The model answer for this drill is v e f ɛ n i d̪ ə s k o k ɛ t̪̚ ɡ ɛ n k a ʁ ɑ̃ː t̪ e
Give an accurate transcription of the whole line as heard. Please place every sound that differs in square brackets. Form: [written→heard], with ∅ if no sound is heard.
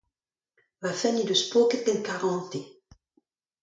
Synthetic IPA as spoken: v [e→a] f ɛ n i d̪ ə s [k→p] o k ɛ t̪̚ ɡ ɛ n k a ʁ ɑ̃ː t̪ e